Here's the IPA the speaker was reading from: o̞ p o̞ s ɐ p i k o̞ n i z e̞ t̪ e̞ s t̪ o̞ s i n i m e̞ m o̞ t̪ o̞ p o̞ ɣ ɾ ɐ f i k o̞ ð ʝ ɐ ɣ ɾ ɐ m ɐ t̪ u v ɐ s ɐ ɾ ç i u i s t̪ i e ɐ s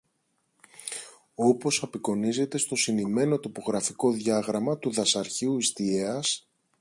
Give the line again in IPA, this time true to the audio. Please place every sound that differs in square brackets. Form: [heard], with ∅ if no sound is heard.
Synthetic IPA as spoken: o̞ p o̞ s ɐ p i k o̞ n i z e̞ t̪ e̞ s t̪ o̞ s i n i m e̞ [n] o̞ t̪ o̞ p o̞ ɣ ɾ ɐ f i k o̞ ð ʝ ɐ ɣ ɾ ɐ m ɐ t̪ u [ð] ɐ s ɐ ɾ ç i u i s t̪ i e ɐ s